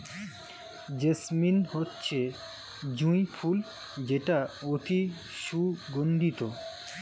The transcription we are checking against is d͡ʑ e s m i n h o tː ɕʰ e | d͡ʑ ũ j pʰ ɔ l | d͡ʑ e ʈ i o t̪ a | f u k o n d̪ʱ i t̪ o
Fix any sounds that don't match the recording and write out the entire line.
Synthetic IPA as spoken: d͡ʑ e s m i n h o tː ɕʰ e | d͡ʑ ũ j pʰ u l | d͡ʑ e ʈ a o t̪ i | ʃ u ɡ o n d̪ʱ i t̪ o